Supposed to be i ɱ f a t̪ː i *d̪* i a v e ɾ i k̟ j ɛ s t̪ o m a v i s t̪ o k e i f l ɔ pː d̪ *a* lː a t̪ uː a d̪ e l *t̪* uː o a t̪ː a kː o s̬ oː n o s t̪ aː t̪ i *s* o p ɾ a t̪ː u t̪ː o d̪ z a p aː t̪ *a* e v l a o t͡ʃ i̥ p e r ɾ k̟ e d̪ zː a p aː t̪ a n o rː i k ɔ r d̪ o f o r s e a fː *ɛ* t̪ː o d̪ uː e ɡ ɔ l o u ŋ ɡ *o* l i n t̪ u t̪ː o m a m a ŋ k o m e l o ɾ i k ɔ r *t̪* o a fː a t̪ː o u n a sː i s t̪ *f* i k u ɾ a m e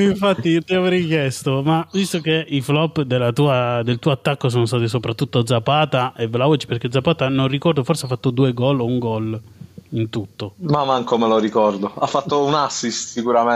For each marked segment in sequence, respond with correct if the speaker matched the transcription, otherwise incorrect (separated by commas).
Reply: incorrect, incorrect, correct, correct, correct, incorrect, incorrect, incorrect, incorrect